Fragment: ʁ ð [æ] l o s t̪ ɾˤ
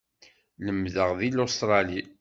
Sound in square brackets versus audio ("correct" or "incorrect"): incorrect